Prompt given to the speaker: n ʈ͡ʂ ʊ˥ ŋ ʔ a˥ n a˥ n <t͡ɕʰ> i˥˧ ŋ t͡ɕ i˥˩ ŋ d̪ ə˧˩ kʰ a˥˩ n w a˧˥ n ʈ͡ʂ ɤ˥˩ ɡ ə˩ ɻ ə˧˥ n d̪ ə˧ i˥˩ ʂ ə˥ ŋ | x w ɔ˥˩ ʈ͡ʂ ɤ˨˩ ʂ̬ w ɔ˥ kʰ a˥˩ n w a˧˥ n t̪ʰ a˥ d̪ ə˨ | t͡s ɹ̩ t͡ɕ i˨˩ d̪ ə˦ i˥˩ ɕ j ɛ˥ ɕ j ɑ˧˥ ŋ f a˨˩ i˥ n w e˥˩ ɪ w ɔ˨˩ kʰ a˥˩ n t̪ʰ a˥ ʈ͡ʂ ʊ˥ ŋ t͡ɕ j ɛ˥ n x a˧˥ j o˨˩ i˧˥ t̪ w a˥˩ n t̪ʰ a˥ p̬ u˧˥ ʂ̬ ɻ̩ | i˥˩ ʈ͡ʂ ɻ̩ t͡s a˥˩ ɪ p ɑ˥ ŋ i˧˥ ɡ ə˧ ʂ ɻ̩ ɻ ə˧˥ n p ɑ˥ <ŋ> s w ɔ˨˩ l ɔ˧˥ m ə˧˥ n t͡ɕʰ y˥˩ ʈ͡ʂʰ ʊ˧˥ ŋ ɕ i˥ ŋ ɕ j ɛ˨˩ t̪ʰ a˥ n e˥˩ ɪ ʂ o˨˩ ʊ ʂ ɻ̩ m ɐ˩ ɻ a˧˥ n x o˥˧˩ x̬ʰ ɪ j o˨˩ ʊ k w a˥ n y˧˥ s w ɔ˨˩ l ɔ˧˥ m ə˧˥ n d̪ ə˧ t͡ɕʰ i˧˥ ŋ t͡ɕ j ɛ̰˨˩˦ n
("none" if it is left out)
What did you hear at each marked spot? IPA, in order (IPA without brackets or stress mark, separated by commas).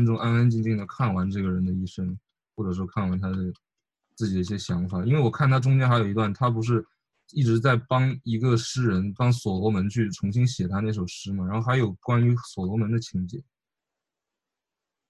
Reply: t͡ɕ, ŋ